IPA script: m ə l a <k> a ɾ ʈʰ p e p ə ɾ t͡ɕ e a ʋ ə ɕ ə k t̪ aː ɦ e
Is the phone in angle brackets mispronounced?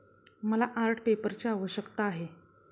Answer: yes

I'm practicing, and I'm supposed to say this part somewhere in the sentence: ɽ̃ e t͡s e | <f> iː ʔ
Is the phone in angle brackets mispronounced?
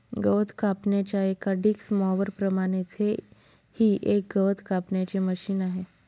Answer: yes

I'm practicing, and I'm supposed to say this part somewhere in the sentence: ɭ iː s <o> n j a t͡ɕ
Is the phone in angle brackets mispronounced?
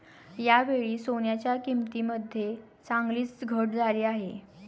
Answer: no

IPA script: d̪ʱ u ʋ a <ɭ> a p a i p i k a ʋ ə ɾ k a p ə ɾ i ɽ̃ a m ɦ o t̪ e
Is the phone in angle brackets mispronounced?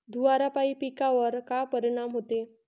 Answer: yes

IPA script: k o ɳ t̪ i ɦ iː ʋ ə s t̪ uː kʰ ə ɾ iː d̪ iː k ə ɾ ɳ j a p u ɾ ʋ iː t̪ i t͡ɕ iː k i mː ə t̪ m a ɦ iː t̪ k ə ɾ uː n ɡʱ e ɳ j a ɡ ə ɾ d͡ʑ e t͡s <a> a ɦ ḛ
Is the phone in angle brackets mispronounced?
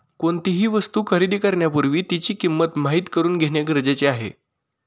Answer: yes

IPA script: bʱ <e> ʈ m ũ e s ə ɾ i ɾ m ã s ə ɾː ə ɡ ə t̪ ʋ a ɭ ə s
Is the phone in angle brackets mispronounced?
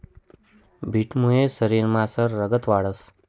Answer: yes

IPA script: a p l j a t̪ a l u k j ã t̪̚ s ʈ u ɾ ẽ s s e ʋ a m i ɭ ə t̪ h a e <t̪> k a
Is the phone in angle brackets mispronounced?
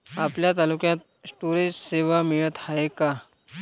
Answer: yes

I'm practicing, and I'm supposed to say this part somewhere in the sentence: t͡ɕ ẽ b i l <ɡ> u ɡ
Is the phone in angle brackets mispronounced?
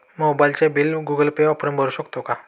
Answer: no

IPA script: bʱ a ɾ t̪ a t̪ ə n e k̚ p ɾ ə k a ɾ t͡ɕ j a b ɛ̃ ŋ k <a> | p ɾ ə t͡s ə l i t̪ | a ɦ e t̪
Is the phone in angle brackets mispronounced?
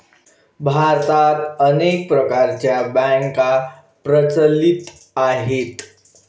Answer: no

